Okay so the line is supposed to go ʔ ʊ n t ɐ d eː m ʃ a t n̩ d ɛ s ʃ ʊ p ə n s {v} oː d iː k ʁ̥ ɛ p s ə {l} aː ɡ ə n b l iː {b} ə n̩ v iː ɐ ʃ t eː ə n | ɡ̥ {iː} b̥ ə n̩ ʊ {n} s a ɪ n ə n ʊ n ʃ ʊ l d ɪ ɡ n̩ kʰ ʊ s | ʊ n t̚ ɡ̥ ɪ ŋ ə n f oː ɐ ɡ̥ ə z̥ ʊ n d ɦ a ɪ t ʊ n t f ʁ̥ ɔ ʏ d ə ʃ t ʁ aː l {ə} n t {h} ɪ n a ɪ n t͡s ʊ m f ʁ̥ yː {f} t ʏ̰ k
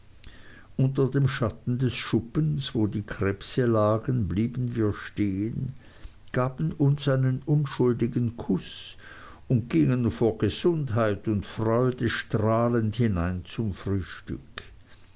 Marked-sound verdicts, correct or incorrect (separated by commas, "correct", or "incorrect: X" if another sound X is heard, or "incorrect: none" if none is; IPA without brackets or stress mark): correct, correct, correct, incorrect: aː, correct, correct, correct, incorrect: ʃ